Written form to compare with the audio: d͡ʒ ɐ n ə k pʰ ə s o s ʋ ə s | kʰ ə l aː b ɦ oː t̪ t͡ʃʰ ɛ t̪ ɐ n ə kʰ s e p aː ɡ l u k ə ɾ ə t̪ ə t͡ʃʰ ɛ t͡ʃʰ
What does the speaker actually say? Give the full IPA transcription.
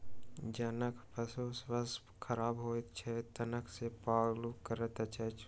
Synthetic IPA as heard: d͡ʒ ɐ n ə k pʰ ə s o s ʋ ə s | kʰ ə ɾ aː b ɦ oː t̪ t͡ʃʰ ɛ t̪ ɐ n ə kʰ s e p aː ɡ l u k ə ɾ ə t̪ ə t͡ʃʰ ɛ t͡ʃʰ